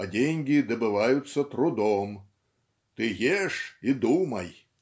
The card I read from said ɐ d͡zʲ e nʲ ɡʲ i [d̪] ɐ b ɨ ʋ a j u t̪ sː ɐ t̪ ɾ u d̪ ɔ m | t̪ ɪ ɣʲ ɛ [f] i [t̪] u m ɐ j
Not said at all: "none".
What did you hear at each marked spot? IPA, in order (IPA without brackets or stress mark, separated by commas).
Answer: d̪, ʂ, d̪